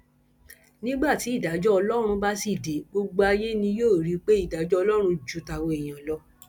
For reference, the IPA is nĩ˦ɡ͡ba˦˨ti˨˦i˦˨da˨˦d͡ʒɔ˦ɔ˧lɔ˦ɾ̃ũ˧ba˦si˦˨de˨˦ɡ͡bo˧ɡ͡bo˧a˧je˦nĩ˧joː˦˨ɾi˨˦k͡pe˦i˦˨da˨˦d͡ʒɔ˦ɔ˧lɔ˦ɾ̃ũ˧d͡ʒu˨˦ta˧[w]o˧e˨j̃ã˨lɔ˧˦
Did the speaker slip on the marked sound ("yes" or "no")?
no